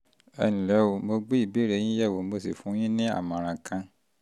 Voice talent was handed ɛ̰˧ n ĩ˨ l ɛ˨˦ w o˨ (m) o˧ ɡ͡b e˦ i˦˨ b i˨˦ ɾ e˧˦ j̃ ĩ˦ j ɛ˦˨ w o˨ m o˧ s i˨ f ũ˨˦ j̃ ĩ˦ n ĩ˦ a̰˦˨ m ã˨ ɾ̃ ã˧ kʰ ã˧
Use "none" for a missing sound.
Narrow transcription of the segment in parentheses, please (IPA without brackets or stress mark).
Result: m